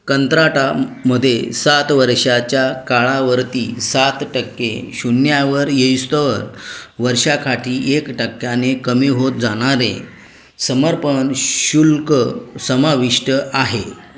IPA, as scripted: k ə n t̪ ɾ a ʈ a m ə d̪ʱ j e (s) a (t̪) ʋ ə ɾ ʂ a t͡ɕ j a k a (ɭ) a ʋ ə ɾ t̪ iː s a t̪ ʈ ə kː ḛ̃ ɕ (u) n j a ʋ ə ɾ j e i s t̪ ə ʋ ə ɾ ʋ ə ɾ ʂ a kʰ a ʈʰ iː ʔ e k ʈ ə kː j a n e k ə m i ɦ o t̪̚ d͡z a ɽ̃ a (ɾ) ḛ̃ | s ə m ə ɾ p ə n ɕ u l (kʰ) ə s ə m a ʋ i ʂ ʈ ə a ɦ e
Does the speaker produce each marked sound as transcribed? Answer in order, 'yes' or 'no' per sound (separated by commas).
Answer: yes, yes, yes, yes, yes, no